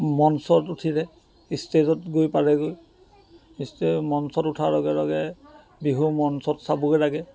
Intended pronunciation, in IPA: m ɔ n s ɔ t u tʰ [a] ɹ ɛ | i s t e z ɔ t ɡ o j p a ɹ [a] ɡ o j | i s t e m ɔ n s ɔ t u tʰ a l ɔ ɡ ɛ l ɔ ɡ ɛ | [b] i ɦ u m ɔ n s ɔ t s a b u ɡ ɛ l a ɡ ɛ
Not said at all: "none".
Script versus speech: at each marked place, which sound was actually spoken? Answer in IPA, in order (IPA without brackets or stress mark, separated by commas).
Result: i, ɛ, b